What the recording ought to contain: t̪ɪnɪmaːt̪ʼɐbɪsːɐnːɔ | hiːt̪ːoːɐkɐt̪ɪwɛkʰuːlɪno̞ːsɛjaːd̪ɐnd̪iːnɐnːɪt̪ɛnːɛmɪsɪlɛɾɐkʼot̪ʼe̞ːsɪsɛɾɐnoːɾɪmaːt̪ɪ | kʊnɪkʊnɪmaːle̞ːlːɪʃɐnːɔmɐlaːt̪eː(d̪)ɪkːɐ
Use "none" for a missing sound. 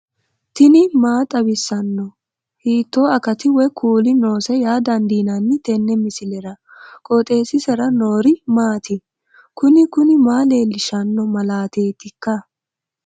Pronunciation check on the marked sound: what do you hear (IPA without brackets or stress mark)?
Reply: t̪